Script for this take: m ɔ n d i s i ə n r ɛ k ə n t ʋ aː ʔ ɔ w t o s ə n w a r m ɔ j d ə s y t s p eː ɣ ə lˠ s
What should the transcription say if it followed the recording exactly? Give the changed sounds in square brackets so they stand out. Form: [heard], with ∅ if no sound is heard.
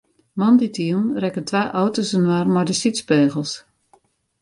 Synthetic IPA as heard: m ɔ n d i [t] i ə n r ɛ k ə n t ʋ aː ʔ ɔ w t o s ə n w a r m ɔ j d ə s [i] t s p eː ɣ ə lˠ s